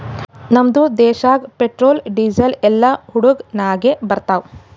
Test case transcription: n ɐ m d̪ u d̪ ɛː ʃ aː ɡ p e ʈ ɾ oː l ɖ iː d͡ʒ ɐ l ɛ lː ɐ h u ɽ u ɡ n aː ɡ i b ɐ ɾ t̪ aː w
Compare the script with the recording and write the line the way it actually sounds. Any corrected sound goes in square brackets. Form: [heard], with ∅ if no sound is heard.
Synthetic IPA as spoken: n ɐ m d̪ u d̪ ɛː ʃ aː ɡ p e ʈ ɾ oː l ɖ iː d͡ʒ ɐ l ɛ lː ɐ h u ɽ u ɡ n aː ɡ [e] b ɐ ɾ t̪ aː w